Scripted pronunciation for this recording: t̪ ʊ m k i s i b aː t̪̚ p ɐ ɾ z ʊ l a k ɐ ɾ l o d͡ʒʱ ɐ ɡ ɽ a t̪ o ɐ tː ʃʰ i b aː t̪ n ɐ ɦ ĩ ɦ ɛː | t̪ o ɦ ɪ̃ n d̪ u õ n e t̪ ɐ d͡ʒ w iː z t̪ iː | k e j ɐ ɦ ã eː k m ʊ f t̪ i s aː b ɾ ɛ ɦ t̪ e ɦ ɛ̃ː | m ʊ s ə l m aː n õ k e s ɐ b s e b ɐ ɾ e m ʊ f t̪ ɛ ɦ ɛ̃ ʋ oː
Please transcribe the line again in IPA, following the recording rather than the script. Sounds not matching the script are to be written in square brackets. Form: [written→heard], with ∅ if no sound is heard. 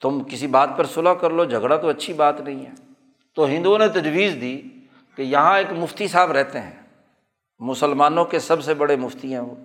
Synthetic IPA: t̪ ʊ m k [i→ɪ] s i b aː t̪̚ p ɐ ɾ [z→s] ʊ l a k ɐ ɾ l o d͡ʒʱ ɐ ɡ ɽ a t̪ o ɐ tː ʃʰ i b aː t̪ n ɐ ɦ ĩ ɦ ɛː | t̪ o ɦ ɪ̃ n d̪ u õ n e t̪ ɐ d͡ʒ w iː z [t̪→d̪] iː | k e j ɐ ɦ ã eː k m ʊ f t̪ i s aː b ɾ ɛ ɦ t̪ e ɦ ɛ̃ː | m ʊ s ə l m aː n õ k e s ɐ b s e b ɐ [ɾ→ɽ] e m ʊ f t̪ [ɛ→i] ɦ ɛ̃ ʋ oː